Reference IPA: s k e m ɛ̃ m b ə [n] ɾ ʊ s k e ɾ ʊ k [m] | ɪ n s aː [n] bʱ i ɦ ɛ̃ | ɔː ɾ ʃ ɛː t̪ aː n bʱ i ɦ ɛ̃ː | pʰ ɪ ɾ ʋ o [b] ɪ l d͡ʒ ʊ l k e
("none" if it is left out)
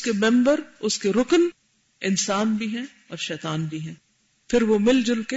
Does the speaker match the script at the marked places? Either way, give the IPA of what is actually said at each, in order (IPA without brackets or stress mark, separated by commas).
none, n, n, m